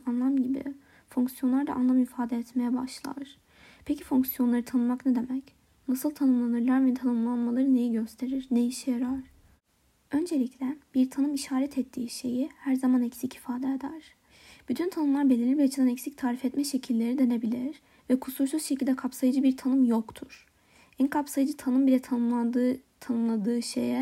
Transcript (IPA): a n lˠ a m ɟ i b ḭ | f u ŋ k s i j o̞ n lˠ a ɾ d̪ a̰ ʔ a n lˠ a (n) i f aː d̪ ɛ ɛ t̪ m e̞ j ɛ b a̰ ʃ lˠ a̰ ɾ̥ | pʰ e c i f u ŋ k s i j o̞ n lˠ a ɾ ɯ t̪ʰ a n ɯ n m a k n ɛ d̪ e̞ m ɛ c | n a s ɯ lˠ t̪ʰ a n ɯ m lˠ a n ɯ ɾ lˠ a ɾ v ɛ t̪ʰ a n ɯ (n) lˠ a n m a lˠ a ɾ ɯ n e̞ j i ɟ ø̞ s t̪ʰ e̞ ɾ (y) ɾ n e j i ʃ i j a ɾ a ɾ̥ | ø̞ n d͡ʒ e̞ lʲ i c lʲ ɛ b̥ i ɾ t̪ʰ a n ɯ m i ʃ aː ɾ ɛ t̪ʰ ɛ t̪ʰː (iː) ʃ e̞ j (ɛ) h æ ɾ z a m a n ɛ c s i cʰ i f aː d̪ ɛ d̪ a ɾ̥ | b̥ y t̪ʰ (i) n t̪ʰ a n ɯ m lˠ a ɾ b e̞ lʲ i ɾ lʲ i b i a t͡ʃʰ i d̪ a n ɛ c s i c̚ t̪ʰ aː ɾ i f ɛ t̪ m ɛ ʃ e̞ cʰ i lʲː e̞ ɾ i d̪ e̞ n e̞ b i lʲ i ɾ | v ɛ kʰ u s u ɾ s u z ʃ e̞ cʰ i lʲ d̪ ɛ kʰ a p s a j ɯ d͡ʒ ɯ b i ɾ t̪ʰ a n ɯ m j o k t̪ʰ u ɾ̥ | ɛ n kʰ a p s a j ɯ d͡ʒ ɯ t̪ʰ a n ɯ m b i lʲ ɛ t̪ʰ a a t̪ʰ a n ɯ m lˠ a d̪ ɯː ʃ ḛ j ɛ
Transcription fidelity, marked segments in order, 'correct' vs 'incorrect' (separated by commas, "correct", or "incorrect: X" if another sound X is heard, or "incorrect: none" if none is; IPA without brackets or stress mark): incorrect: m, incorrect: m, incorrect: i, correct, incorrect: i, incorrect: y